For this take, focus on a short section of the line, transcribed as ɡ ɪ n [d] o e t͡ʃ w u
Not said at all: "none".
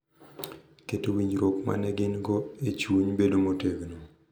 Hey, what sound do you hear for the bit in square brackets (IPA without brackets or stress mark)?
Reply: ɡ